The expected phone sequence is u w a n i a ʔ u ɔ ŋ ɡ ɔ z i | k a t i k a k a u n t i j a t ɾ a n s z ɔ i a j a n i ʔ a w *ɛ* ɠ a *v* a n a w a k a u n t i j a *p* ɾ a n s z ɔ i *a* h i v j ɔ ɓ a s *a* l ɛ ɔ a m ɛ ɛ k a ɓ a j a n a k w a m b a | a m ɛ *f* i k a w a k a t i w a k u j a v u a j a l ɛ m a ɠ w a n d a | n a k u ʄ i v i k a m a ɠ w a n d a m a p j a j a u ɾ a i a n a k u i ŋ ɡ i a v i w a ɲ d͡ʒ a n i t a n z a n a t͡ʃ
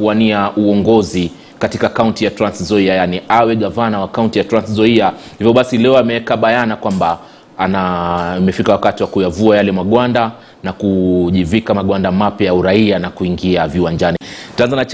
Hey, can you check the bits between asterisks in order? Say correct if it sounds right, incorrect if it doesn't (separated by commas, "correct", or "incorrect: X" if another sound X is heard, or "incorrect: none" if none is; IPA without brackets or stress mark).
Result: correct, correct, incorrect: t, correct, incorrect: i, correct